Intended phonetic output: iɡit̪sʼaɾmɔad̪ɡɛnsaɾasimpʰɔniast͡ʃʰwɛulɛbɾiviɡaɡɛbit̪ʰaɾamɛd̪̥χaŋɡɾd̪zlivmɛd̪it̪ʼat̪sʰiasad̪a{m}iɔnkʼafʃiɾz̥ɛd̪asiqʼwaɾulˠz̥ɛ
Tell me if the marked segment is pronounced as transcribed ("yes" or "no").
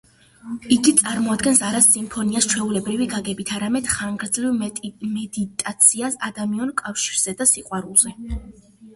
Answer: yes